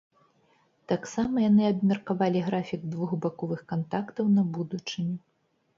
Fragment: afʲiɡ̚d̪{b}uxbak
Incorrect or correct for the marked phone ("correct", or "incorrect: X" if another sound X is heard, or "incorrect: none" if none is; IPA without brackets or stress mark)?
incorrect: v